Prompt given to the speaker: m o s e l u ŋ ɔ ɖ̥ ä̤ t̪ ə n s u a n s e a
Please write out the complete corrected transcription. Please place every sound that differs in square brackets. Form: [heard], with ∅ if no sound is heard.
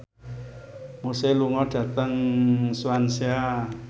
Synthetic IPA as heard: m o s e l u ŋ ɔ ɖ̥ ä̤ t̪ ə [ŋ] s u a n s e a